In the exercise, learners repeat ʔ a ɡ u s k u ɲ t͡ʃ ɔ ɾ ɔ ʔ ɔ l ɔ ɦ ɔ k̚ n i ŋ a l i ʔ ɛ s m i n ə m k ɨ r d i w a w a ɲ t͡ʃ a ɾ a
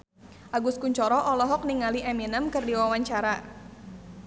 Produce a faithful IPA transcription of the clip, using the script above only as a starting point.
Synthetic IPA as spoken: ʔ a ɡ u s k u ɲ t͡ʃ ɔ ɾ ɔ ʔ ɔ l ɔ ɦ ɔ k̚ n i ŋ a l i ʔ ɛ m i n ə m k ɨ r d i w a w a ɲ t͡ʃ a ɾ a